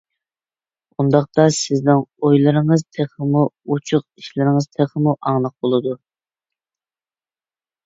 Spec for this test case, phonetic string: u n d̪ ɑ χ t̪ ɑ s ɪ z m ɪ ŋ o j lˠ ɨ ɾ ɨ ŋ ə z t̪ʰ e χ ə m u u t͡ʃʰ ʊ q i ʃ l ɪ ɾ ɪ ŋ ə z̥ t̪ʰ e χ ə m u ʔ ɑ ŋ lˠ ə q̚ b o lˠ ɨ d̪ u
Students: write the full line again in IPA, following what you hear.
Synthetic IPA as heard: u n d̪ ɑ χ t̪ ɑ s ɪ z n ɪ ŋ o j lˠ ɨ ɾ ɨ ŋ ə z t̪ʰ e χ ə m u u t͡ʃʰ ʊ q i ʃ l ɪ ɾ ɪ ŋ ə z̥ t̪ʰ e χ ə m u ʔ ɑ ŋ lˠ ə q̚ b o lˠ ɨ d̪ u

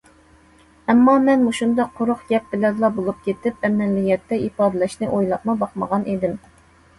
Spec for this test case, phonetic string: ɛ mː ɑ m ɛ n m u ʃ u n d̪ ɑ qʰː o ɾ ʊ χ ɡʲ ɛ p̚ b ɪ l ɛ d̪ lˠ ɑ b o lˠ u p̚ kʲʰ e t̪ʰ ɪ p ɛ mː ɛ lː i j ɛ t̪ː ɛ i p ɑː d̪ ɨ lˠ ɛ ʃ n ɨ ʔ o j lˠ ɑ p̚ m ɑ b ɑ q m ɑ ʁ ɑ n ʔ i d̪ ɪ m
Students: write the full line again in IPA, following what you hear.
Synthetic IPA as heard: ɛ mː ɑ m ɛ n m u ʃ u n d̪ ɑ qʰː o ɾ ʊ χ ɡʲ ɛ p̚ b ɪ l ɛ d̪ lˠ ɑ b o lˠ u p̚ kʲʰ e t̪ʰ ɪ p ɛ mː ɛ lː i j ɛ t̪ː ɛ i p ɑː d̪ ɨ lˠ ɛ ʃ n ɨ ʔ o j lˠ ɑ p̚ m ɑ b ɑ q m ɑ ʁ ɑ n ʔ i d̪ ɪ m

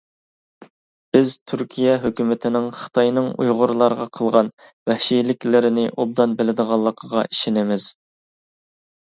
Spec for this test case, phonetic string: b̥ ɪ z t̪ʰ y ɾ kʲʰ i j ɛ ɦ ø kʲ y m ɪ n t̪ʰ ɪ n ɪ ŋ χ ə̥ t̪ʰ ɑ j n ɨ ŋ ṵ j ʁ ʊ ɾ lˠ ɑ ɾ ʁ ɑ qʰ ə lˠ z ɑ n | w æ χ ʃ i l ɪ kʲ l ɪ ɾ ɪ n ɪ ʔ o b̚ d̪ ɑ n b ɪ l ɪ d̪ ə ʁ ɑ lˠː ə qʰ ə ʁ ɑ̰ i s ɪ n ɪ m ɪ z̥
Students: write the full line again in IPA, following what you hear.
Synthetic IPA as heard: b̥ ɪ z t̪ʰ y ɾ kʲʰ i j ɛ ɦ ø kʲ y m ɪ t̪ʰ ɪ n ɪ ŋ χ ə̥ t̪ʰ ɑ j n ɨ ŋ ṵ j ʁ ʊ ɾ lˠ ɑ ɾ ʁ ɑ qʰ ə lˠ ʁ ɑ n | w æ h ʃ i l ɪ kʲ l ɪ ɾ ɪ n ɪ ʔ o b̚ d̪ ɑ n b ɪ l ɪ d̪ ə ʁ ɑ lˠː ə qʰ ə ʁ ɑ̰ i ʃ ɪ n ɪ m ɪ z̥

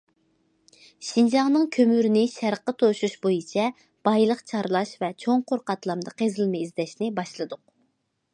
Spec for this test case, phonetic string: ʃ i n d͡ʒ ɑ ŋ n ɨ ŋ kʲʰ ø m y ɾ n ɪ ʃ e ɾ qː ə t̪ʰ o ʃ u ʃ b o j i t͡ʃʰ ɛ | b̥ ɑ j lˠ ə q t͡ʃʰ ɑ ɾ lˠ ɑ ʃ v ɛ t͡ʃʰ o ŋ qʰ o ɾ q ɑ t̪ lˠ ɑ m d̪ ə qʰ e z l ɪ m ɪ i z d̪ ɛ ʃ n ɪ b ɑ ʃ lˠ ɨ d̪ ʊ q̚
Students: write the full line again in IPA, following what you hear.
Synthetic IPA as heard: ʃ i n d͡ʒ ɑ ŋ n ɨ ŋ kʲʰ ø m y ɾ n ɪ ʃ æ ɾ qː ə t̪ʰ o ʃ u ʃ b o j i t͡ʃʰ ɛ | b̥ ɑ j lˠ ə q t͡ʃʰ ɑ ɾ lˠ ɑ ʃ v ɛ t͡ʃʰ o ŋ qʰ o ɾ q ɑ t̪ lˠ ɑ m d̪ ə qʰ e z l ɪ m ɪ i z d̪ ɛ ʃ n ɪ b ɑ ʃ lˠ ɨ d̪ ʊ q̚

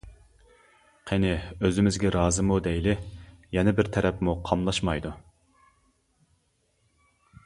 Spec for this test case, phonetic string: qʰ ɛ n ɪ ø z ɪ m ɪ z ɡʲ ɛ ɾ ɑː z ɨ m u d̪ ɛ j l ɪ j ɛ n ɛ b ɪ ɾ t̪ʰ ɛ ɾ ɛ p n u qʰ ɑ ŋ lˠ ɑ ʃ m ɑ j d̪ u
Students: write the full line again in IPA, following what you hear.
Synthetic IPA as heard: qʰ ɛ n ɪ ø z ɪ m ɪ z ɡʲ ɛ ɾ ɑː z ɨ m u d̪ ɛ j l ɪ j ɛ n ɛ b ɪ ɾ t̪ʰ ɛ ɾ ɛ p m u qʰ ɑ m lˠ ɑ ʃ m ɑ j d̪ u

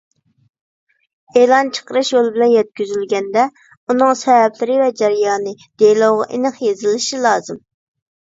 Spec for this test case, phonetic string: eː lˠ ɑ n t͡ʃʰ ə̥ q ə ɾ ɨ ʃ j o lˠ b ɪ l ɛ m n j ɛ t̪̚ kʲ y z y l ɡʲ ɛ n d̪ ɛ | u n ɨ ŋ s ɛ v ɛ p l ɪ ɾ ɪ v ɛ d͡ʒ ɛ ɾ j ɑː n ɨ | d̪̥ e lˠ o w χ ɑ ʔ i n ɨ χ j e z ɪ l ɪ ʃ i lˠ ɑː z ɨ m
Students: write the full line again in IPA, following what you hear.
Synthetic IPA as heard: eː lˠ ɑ n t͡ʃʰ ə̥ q ə ɾ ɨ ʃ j o lˠ b ɪ l ɛ n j ɛ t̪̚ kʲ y z y l ɡʲ ɛ n d̪ ɛ | u n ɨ ŋ s ɛ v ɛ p l ɪ ɾ ɪ v ɛ d͡ʒ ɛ ɾ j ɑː n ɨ | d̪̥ e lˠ o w ʁ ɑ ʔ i n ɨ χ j e z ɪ l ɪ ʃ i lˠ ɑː z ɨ m

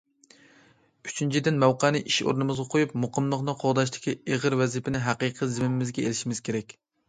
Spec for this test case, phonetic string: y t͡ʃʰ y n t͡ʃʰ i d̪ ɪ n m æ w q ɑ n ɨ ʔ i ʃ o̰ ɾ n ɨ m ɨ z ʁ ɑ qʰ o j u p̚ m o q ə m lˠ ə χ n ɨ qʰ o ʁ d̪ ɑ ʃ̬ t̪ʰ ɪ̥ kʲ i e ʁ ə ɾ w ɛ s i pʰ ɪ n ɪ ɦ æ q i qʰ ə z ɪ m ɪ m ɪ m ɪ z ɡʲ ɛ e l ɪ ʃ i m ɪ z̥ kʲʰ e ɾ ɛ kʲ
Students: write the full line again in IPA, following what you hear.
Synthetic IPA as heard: y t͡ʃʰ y n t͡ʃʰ i d̪ ɪ n m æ w q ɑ n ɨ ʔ i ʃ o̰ ɾ n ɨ m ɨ z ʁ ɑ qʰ o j u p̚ m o q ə m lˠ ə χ n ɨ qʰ o ʁ d̪ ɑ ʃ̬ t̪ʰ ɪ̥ kʲ i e ʁ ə ɾ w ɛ z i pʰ ɪ n ɪ ɦ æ q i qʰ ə z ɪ m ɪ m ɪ m ɪ z ɡʲ ɛ e l ɪ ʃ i m ɪ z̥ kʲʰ e ɾ ɛ kʲ

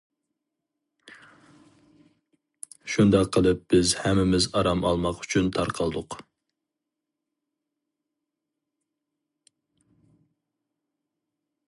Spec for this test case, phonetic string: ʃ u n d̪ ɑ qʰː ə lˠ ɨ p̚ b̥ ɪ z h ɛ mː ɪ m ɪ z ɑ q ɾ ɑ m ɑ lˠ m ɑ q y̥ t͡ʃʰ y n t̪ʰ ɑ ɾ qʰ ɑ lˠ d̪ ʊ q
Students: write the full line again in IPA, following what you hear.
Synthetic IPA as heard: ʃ u n d̪ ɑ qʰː ə lˠ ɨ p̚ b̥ ɪ z h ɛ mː ɪ m ɪ z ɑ ɾ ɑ m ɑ lˠ m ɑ q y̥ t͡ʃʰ y n t̪ʰ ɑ ɾ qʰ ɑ lˠ d̪ ʊ q

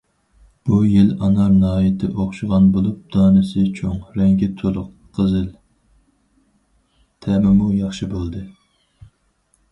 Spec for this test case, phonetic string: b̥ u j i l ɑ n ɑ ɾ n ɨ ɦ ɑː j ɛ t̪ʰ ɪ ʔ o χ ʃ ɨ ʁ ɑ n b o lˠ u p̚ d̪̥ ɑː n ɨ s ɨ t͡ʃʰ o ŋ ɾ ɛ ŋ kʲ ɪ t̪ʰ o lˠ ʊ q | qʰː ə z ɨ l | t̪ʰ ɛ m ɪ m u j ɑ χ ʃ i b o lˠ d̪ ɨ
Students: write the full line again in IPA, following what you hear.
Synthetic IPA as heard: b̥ u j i l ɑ n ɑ ɾ n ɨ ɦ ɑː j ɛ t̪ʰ ɪ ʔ o χ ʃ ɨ ʁ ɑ n b o lˠ u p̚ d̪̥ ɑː n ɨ s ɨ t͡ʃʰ o ŋ ɾ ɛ ŋ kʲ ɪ t̪ʰ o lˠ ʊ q | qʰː ə z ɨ l | t̪ʰ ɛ m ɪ m u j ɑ χ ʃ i b o lˠ d̪ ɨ

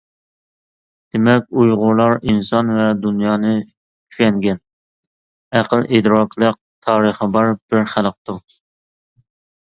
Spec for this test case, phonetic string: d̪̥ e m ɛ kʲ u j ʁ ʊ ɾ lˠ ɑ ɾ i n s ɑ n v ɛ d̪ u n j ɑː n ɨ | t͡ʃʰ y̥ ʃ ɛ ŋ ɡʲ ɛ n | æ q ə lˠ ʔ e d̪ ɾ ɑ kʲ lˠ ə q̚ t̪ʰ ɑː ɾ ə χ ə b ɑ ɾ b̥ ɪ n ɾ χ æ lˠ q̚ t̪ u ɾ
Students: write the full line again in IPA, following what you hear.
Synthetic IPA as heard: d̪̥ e m ɛ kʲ u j ʁ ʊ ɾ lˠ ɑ ɾ i n s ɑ n v ɛ d̪ u n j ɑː n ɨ | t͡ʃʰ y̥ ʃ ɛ ŋ ɡʲ ɛ n | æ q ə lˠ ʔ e d̪ ɾ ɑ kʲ lˠ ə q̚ t̪ʰ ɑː ɾ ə χ ə b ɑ ɾ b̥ ɪ ɾ χ æ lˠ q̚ t̪ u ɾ

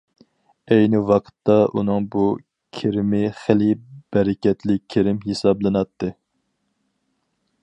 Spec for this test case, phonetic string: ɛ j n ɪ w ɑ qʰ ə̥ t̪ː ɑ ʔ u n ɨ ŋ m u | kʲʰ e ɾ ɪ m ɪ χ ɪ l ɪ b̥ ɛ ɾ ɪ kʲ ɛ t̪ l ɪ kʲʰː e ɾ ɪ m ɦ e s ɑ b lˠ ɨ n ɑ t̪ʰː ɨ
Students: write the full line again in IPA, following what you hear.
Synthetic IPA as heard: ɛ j n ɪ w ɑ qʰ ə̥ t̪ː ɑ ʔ u n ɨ ŋ b u | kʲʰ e ɾ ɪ m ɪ χ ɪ l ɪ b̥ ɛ ɾ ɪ kʲ ɛ t̪ l ɪ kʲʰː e ɾ ɪ m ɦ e s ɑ b lˠ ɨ n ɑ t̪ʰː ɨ

